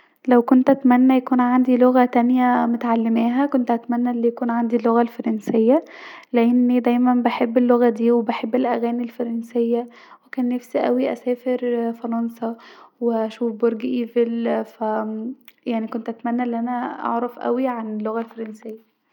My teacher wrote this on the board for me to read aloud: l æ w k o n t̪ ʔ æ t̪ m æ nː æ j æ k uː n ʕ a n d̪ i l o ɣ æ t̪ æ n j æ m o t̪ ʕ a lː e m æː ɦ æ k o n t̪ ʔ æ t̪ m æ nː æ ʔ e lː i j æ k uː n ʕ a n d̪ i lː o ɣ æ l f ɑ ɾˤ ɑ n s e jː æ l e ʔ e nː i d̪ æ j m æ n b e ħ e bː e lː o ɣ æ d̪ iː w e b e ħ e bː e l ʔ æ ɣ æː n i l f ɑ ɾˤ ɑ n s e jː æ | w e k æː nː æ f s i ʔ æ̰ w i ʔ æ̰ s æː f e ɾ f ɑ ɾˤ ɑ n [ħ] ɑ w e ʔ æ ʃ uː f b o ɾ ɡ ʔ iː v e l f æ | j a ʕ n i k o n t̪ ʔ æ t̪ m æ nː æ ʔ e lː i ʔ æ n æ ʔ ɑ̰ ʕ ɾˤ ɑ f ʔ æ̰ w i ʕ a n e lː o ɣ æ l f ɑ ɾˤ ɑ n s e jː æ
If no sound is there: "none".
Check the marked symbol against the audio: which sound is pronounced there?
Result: s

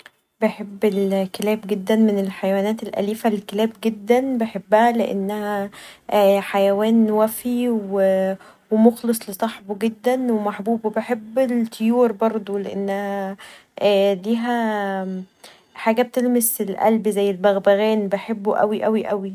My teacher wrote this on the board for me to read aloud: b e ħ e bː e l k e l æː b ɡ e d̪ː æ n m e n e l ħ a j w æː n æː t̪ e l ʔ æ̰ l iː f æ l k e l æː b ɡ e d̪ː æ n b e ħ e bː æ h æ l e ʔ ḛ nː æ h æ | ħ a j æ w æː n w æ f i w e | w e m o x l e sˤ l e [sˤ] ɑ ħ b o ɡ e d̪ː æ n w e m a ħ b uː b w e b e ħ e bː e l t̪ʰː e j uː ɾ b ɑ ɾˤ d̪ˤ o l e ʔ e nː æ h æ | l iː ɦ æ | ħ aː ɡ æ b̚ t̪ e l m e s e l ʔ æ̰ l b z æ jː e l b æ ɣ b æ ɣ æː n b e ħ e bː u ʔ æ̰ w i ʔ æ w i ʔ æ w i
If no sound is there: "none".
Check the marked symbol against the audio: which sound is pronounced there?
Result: sˤ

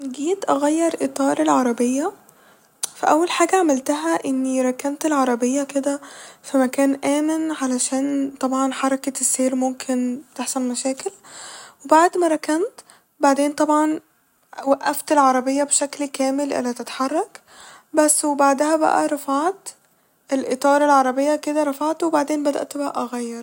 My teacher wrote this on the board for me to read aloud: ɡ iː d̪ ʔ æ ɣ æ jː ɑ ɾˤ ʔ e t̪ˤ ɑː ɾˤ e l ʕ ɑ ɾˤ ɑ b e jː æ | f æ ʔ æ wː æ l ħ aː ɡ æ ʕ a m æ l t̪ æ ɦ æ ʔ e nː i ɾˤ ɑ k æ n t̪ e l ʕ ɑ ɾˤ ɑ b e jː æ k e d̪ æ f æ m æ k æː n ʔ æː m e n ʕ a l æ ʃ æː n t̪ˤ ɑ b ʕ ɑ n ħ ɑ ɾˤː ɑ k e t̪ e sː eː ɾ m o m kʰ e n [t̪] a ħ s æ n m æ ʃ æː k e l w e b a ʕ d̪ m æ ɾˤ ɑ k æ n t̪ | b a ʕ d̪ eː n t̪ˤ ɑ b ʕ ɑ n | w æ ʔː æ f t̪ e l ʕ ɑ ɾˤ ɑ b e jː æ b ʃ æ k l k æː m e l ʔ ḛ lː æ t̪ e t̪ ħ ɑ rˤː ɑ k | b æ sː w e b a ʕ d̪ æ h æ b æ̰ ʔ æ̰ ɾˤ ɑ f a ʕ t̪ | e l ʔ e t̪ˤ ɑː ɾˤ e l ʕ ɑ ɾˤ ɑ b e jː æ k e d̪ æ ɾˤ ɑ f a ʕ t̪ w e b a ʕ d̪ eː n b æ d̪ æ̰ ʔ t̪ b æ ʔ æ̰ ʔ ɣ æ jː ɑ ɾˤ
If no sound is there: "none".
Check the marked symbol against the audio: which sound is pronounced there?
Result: t̪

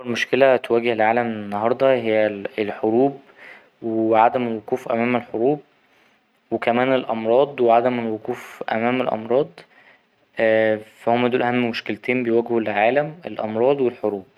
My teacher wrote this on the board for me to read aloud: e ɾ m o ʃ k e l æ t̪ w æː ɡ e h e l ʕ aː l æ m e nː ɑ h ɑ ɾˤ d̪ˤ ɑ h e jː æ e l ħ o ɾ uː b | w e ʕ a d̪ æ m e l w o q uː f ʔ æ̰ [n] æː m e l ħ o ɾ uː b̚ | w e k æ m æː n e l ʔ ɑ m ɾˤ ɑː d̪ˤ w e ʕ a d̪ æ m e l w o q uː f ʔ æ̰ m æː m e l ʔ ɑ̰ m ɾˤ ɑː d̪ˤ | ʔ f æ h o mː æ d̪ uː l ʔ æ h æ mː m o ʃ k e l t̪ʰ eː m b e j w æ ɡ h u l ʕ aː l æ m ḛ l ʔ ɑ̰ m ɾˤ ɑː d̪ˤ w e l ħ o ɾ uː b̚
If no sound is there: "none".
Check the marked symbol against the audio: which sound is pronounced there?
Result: m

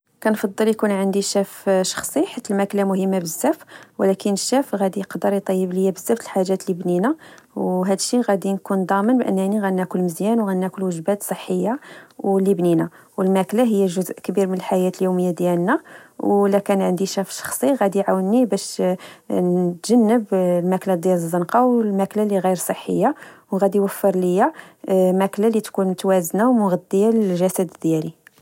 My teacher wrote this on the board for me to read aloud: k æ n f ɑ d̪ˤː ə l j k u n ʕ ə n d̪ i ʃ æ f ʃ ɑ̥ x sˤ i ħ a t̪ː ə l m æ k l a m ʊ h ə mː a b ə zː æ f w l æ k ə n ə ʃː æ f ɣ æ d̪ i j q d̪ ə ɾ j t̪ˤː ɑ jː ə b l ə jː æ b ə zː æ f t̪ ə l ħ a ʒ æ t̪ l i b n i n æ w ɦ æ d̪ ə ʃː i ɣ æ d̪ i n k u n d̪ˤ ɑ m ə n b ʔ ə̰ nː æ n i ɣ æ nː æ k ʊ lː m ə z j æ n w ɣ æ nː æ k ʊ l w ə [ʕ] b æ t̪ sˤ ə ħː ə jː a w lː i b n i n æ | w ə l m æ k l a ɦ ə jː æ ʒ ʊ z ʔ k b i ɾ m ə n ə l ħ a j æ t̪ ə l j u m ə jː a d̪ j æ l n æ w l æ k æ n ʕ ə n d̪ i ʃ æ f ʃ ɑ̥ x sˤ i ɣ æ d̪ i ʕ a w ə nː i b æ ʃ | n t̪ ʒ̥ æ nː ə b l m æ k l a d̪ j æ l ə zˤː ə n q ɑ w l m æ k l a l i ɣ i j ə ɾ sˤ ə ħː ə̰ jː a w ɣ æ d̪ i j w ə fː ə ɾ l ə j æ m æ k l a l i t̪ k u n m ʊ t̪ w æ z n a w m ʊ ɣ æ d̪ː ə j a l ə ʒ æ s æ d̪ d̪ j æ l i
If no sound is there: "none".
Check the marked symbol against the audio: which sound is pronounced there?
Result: ʒ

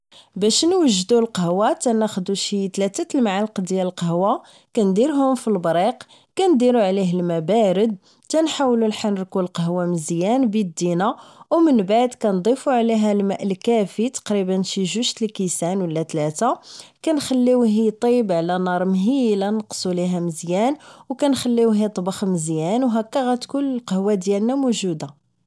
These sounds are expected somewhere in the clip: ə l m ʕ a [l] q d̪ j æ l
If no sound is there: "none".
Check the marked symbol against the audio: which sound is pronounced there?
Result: l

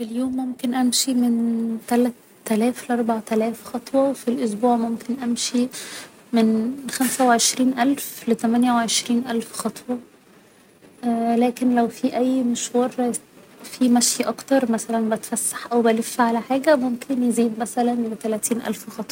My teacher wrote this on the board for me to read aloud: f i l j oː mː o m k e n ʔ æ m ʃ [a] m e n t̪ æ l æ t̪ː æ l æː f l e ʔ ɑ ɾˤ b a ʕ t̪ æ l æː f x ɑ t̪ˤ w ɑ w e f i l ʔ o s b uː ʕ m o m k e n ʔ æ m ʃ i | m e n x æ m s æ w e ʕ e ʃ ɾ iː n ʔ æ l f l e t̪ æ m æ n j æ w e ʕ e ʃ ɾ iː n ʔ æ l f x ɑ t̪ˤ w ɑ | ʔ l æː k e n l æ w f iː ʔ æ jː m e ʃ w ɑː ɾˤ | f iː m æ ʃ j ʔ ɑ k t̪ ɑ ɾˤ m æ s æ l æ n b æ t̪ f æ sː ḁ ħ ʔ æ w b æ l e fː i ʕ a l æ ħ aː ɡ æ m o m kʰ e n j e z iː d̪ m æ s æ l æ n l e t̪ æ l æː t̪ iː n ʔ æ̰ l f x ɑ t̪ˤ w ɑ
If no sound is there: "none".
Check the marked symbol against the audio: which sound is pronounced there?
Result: i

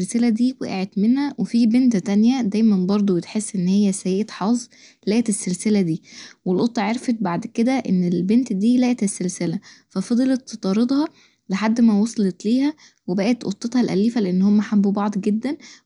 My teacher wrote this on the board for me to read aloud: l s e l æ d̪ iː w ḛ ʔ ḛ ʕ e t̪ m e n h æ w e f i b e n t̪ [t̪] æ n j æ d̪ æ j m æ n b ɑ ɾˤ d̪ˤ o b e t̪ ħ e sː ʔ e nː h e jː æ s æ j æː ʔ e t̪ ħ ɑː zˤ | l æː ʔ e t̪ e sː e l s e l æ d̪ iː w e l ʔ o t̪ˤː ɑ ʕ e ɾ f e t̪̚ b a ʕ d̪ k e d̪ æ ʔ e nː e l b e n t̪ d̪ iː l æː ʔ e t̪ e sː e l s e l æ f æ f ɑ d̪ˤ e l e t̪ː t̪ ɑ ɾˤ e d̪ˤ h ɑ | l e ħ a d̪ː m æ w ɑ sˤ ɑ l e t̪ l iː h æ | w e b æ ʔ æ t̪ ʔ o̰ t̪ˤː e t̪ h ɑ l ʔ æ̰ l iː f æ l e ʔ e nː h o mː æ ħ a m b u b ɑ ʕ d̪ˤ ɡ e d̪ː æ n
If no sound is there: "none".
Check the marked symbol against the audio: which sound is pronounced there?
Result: t̪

